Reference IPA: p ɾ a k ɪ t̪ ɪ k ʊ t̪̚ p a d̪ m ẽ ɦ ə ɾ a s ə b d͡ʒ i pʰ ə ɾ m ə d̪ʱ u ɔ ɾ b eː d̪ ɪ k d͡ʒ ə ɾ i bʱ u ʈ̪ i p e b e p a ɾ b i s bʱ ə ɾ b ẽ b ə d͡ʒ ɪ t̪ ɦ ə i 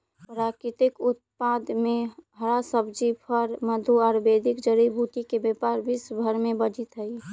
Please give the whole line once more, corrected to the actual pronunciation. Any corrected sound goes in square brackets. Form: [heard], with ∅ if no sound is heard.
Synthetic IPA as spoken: p ɾ a k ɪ t̪ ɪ k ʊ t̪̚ p a d̪ m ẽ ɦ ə ɾ a s ə b d͡ʒ i pʰ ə ɾ m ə d̪ʱ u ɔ ɾ b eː d̪ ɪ k d͡ʒ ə ɾ i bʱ u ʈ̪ i [k] e b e p a ɾ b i s bʱ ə ɾ [m] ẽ b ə d͡ʒ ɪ t̪ ɦ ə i